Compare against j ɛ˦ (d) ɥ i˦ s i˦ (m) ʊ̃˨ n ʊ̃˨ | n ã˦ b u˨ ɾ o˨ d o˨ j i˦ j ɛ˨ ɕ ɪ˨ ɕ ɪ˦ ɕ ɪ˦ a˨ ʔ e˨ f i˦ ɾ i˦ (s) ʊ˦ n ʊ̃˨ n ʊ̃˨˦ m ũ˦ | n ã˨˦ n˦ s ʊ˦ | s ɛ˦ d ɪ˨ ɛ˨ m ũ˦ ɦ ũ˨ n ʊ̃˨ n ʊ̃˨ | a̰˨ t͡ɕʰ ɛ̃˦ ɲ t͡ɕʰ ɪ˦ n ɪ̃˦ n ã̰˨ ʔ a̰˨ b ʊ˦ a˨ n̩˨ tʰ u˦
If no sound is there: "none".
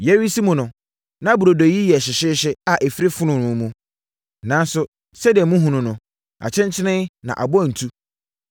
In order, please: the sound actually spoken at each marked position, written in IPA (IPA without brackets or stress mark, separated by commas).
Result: none, m, f